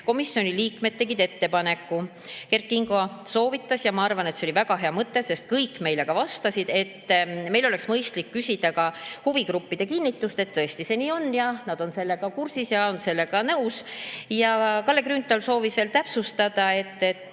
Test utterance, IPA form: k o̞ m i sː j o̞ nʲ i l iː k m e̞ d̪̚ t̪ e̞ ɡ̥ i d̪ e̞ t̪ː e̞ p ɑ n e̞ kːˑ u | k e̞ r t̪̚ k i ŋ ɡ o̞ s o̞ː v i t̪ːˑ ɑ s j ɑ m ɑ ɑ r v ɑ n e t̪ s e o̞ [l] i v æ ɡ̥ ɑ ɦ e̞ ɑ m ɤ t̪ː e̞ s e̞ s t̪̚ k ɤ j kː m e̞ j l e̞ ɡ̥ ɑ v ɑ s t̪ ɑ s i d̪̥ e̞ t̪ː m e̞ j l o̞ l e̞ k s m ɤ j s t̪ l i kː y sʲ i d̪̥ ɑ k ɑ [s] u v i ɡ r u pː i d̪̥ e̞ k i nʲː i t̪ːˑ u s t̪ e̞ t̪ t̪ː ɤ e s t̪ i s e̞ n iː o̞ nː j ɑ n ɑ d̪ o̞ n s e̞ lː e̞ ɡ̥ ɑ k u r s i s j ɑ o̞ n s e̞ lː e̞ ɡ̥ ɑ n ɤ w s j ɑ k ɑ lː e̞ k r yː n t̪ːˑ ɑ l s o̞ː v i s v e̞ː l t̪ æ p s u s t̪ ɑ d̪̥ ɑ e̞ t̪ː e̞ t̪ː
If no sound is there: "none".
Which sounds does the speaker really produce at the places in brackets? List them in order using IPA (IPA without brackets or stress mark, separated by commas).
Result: l, h